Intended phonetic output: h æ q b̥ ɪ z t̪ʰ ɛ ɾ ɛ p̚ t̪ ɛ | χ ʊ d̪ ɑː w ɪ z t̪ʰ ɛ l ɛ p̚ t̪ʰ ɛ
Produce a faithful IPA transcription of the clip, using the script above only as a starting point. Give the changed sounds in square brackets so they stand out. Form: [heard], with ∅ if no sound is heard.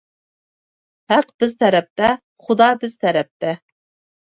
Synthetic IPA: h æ q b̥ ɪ z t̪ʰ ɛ ɾ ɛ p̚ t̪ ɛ | χ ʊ d̪ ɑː [b] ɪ z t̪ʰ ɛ [ɾ] ɛ p̚ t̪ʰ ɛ